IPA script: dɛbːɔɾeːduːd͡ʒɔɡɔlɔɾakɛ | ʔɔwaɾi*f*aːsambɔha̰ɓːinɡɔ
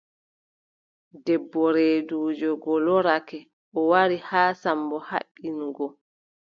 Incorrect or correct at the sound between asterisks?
incorrect: h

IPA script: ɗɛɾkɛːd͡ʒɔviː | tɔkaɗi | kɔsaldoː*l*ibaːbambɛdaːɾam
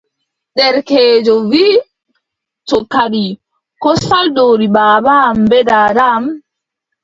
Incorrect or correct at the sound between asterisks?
incorrect: ɾ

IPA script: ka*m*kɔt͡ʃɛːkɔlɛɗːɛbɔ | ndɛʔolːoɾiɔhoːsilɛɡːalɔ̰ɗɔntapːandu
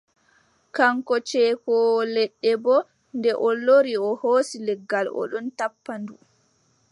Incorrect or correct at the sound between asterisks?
incorrect: ŋ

